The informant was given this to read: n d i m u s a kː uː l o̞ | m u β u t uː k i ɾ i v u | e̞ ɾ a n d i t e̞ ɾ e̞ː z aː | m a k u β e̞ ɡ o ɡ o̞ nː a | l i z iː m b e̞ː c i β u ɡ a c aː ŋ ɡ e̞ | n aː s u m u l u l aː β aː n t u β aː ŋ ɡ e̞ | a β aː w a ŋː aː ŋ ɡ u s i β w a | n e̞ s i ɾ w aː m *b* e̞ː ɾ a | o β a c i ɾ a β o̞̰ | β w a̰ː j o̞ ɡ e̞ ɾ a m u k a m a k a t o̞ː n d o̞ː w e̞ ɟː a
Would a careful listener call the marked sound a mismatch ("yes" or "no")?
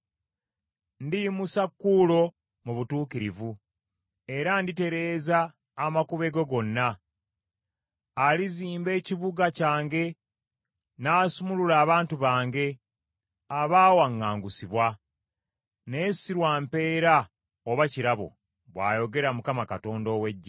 yes